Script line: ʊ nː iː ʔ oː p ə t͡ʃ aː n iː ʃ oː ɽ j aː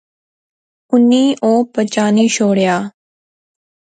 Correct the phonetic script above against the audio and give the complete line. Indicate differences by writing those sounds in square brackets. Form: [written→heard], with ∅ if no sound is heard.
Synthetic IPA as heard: ʊ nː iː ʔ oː p ə t͡ʃ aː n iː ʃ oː ɽ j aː